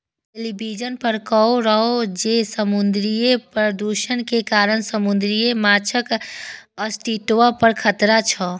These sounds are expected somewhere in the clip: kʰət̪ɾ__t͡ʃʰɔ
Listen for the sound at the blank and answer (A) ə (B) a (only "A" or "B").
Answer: B